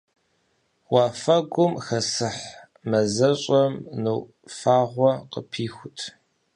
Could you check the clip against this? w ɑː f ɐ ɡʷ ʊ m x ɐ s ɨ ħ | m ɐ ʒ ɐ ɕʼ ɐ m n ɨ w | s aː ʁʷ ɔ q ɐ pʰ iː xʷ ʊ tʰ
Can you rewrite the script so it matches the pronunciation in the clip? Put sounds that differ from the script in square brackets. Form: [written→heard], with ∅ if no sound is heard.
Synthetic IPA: w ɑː f ɐ ɡʷ ʊ m x ɐ s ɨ ħ | m ɐ [ʒ→z] ɐ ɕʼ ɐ m n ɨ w | [s→f] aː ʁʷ ɔ q [ɐ→ə] pʰ iː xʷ ʊ tʰ